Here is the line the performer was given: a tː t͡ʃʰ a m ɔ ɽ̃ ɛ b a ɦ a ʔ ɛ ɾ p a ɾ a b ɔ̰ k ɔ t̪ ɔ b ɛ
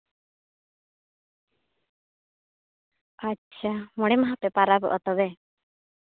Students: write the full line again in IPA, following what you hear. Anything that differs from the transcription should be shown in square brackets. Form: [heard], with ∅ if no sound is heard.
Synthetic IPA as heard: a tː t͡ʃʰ a m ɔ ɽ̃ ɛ [m] a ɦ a [p] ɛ [∅] p a ɾ a b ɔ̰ [ʔ] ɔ t̪ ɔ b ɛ